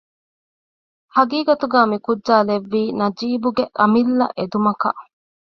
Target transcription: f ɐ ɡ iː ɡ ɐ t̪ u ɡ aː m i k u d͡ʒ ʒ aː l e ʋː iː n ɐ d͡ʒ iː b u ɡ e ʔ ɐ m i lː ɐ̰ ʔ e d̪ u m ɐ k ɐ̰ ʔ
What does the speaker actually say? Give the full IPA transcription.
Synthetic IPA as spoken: h ɐ ɡ iː ɡ ɐ t̪ u ɡ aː m i k u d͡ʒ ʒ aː l e ʋː iː n ɐ d͡ʒ iː b u ɡ e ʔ ɐ m i lː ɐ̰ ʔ e d̪ u m ɐ k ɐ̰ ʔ